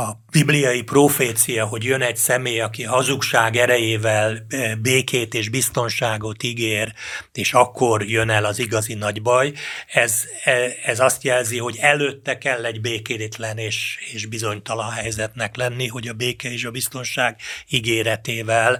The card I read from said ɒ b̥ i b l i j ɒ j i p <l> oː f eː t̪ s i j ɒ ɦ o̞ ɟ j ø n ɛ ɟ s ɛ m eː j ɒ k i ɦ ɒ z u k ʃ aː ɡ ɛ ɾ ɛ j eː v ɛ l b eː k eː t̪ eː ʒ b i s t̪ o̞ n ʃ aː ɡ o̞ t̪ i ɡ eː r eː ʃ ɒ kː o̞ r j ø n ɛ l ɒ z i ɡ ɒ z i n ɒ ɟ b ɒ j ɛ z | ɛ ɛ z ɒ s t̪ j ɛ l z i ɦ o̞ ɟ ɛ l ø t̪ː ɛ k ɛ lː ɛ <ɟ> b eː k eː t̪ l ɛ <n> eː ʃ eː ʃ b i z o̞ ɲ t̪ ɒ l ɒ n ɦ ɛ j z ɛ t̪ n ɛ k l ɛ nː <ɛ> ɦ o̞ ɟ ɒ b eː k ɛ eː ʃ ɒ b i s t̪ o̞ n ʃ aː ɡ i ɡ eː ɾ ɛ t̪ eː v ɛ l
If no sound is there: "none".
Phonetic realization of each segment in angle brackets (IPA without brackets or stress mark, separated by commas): r, ɟ, n, i